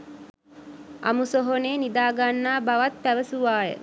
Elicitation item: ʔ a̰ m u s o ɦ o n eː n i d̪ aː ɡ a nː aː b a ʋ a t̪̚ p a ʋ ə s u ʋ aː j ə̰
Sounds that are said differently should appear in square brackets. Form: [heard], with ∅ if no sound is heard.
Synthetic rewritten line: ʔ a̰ m u s o ɦ o n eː n i d̪ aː ɡ a nː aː b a ʋ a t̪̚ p [æ] ʋ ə s u ʋ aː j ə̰